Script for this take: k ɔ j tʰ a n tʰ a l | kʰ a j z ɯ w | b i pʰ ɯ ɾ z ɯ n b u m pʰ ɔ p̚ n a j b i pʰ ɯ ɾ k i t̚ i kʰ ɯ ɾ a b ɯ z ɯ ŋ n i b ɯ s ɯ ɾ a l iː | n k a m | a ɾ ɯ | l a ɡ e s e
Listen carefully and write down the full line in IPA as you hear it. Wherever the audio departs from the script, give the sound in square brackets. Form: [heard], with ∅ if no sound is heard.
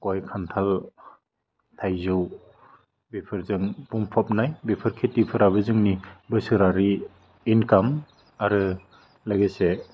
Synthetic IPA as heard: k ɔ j [kʰ] a n tʰ a l | [tʰ] a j z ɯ w | b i pʰ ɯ ɾ z ɯ [ŋ] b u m pʰ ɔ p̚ n a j b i pʰ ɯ ɾ [kʰ] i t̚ i [pʰ] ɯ ɾ a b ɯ z ɯ ŋ n i b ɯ s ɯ ɾ a [ɾ] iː | n k a m | a ɾ ɯ | l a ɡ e s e